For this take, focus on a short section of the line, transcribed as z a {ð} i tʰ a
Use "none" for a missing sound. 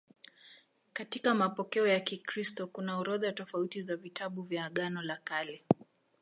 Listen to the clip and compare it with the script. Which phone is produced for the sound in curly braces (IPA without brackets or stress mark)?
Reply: v